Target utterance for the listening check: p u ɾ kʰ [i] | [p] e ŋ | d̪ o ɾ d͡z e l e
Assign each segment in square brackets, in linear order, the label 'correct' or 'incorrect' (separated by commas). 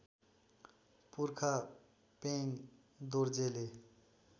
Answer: incorrect, correct